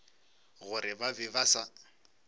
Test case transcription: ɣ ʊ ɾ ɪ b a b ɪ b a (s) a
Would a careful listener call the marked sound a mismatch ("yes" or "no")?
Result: no